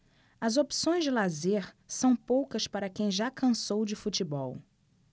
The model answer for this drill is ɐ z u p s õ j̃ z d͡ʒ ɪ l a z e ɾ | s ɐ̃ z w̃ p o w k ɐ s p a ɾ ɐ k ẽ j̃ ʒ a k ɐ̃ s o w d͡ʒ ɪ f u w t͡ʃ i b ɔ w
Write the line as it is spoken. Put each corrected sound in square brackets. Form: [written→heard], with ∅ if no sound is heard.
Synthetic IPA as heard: ɐ z [u→o] p s õ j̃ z d͡ʒ ɪ l a z e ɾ | s ɐ̃ [z→∅] w̃ p o w k ɐ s p a ɾ ɐ k ẽ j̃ ʒ a k ɐ̃ s o w d͡ʒ ɪ f u [w→∅] t͡ʃ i b ɔ w